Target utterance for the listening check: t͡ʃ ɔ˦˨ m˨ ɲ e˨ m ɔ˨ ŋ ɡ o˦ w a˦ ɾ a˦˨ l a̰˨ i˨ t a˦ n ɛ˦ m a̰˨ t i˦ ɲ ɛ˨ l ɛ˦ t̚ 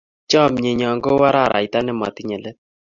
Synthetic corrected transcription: t͡ʃ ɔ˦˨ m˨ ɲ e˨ ɲ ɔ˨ ŋ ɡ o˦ w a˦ ɾ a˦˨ ɾ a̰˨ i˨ t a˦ n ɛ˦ m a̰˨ t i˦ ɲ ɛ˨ l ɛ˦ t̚